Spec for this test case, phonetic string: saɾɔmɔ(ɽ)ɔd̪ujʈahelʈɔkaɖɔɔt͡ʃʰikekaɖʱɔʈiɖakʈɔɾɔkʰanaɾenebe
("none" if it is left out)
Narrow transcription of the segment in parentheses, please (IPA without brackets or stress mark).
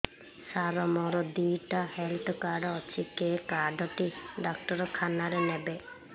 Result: ɾ